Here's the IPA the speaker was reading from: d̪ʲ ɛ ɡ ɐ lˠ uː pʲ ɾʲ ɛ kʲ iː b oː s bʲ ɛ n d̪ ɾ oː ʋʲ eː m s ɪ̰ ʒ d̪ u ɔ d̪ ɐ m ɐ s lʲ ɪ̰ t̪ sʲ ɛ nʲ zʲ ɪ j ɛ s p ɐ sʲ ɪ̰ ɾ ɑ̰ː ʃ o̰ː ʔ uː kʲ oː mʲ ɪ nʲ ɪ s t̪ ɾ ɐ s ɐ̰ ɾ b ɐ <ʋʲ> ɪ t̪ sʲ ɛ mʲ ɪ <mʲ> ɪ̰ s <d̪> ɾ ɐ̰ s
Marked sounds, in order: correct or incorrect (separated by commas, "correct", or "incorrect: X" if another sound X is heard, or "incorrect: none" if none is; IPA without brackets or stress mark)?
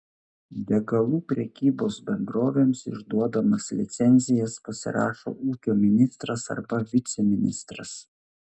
correct, incorrect: nʲ, incorrect: t̪